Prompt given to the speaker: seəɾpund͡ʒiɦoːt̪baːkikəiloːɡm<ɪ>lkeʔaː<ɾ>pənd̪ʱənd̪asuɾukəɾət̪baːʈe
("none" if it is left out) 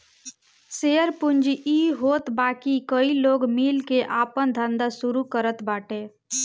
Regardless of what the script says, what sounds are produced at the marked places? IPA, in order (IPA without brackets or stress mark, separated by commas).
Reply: i, none